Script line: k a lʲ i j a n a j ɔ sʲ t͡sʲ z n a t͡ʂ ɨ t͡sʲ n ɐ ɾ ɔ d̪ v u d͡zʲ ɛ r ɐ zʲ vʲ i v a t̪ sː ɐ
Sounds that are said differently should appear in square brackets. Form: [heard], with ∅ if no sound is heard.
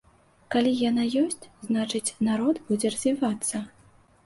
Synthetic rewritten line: k a lʲ i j a n a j ɔ sʲ t͡sʲ z n a t͡ʂ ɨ t͡sʲ n [a] ɾ ɔ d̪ [b] u d͡zʲ ɛ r ɐ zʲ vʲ i v a t̪ sː ɐ